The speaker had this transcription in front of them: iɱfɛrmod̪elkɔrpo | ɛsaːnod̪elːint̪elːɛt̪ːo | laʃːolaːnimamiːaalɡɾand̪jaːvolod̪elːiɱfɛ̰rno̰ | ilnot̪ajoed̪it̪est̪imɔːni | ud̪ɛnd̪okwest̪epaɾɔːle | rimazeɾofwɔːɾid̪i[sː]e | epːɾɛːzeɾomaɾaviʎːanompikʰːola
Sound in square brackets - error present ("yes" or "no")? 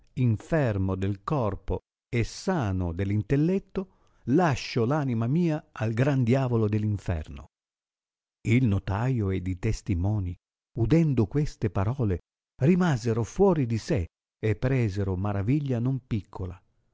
yes